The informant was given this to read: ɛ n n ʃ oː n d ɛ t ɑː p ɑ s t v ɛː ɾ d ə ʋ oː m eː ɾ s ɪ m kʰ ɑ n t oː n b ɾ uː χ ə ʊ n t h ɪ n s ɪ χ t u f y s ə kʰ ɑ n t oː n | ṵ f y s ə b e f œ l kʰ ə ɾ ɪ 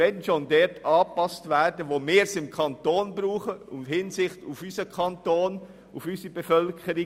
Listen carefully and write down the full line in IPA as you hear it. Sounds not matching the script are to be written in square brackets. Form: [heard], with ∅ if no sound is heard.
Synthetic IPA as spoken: ɛ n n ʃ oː n d ɛ t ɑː p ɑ s t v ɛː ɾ d ə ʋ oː m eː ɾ s ɪ m kʰ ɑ n t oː n b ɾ uː χ ə ʊ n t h ɪ n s ɪ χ t u f y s ə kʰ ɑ n t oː n | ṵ f y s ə b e f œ l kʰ ə ɾ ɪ